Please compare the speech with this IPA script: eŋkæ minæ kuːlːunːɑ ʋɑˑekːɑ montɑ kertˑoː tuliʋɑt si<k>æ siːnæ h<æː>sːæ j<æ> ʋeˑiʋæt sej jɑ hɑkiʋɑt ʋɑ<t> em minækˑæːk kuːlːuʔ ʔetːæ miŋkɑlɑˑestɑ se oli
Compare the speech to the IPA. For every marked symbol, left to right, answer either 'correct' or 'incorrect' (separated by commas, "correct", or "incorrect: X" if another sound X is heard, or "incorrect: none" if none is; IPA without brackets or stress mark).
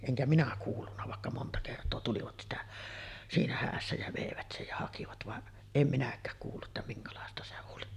incorrect: t, correct, correct, incorrect: ʔ